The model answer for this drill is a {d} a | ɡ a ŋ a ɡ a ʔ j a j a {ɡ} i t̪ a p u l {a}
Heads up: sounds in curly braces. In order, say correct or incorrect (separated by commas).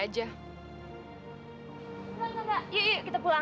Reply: incorrect, incorrect, correct